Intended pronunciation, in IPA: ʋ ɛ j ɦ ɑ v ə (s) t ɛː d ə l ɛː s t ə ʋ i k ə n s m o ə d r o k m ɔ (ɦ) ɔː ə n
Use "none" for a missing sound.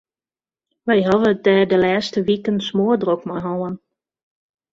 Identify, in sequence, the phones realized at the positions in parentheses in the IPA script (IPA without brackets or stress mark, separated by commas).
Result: none, ɦ